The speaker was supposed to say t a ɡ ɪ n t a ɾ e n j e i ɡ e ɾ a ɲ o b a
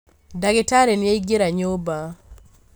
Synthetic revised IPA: d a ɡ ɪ t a ɾ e n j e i ɡ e ɾ a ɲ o b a